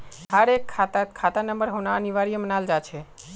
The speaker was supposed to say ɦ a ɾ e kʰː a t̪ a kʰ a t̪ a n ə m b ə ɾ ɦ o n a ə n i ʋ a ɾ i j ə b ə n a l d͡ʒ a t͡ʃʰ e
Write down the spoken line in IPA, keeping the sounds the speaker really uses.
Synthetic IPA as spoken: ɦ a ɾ e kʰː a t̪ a kʰ a t̪ a n ə m b ə ɾ ɦ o n a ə n i ʋ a ɾ i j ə m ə n a l d͡ʒ a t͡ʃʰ e

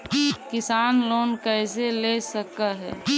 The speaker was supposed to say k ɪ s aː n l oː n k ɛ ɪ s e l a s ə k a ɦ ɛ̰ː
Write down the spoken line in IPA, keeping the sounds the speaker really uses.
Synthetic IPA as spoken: k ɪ s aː n l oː n k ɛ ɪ s e l e s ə k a ɦ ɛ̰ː

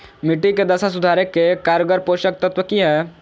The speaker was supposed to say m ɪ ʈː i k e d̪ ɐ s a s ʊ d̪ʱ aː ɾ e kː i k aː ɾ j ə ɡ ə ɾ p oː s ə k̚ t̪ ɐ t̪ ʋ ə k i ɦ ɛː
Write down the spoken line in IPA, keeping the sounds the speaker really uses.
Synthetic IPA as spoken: m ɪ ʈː i k e d̪ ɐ s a s ʊ d̪ʱ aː ɾ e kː e k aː ɾ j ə ɡ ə ɾ p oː ʃ ə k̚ t̪ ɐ t̪ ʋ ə k i ɦ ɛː

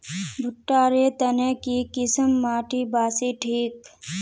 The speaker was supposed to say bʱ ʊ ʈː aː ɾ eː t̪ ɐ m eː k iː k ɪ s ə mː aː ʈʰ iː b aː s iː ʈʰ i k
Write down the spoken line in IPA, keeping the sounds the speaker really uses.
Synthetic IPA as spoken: bʱ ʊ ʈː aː ɾ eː t̪ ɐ n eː k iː k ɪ s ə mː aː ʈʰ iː b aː s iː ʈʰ iː k

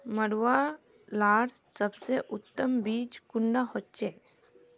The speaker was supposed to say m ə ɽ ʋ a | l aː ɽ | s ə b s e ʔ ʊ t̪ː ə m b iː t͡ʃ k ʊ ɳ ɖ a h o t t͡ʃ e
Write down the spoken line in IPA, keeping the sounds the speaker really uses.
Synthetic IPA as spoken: m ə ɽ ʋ a | l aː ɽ | s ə b s e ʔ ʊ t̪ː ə m b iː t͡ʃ k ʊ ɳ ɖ a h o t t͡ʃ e

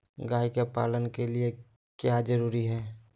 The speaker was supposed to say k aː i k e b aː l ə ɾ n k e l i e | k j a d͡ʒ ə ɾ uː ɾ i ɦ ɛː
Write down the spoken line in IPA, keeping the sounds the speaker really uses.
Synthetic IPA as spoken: ɡ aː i k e p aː l ə n k e l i e | k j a d͡ʒ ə ɾ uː ɾ i ɦ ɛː

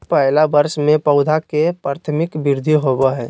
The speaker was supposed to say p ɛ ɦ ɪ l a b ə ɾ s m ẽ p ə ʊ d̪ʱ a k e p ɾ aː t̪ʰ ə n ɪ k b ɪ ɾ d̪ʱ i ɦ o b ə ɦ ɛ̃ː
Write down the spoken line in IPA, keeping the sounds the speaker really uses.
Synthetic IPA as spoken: p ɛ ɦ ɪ l a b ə ɾ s m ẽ p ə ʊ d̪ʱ a k e p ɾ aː t̪ʰ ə m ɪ k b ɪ ɾ d̪ʱ i ɦ o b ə ɦ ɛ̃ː

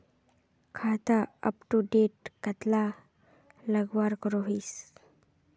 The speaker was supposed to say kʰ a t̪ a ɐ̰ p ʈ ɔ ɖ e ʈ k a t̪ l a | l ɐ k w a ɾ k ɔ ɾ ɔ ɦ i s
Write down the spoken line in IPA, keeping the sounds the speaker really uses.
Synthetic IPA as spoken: kʰ a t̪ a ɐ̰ p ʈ u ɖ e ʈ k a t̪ l a | l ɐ ɡ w a ɾ k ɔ ɾ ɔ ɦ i s

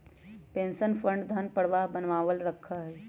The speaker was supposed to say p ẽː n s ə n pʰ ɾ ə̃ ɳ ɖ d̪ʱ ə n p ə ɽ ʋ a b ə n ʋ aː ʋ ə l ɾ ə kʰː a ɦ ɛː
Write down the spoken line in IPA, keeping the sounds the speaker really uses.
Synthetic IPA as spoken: p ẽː n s ə n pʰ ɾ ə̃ ɳ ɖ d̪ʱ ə n p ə ɽ ʋ a b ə n ʋ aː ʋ ə l ɾ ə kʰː a ɦ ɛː

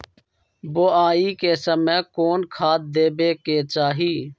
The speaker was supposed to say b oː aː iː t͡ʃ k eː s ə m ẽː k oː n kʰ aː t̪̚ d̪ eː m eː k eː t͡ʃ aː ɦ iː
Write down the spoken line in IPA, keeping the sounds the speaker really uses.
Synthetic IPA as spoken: b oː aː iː k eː s ə m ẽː k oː n kʰ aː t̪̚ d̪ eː b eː k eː t͡ʃ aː ɦ iː

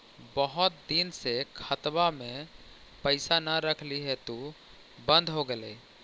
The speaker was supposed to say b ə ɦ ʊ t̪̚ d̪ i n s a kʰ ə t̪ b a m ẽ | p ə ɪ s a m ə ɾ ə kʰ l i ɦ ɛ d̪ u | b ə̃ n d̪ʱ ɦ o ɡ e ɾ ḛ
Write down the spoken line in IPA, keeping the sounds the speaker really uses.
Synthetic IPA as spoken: b ə ɦ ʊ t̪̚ d̪ i n s e kʰ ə t̪ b a m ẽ | p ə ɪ s a n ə ɾ ə kʰ l i ɦ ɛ t̪ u | b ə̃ n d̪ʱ ɦ o ɡ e l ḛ

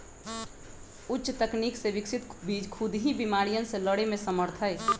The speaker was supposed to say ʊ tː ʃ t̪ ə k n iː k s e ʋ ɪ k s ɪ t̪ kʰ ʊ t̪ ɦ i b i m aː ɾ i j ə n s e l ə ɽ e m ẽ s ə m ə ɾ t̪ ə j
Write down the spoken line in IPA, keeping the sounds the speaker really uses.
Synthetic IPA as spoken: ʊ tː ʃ t̪ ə k n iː k s e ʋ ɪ k s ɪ t̪ kʰ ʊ d̪ ɦ i b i m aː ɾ i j ə n s e l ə ɽ e m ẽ s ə m ə ɾ t̪ʰ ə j

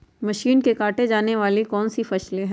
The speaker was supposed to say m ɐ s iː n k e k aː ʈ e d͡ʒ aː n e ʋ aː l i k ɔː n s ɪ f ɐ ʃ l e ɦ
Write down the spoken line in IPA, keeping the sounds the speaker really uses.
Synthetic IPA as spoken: m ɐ ʃ iː n k e k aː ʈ e d͡ʒ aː n e ʋ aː l i k ɔː n s i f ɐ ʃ l e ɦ

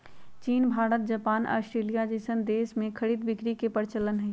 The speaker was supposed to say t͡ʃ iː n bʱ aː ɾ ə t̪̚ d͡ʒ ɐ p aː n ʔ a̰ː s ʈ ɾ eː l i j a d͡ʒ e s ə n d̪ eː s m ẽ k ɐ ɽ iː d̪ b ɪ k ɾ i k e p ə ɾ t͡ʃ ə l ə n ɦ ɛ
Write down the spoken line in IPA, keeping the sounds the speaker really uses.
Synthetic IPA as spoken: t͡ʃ iː n bʱ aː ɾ ə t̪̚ d͡ʒ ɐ p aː n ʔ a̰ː s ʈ ɾ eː l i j a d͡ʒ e s ə n d̪ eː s m ẽ kʰ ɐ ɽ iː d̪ b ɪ k ɾ i k e p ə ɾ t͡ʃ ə l ə n ɦ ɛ

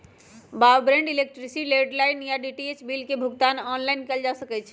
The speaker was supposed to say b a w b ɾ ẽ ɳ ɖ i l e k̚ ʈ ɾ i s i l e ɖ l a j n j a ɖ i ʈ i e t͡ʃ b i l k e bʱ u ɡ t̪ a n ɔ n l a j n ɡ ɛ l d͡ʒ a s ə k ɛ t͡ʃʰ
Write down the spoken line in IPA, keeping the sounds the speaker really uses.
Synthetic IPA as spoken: b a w b ɾ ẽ ɳ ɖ i l e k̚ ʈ ɾ i s i l e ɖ l a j n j a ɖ i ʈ i e t͡ʃ b i l k e bʱ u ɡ t̪ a n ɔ n l a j n k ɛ l d͡ʒ a s ə k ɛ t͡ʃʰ

